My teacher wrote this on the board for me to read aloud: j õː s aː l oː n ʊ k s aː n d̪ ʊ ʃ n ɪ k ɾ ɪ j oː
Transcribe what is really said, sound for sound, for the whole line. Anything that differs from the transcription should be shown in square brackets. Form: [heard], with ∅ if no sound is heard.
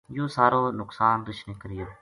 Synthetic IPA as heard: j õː s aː [ɾ] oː n ʊ k s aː n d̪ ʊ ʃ n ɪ k ɾ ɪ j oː